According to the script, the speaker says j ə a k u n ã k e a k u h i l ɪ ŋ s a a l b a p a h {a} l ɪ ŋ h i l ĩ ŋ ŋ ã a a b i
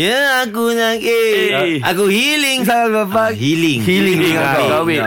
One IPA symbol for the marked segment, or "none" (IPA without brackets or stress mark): i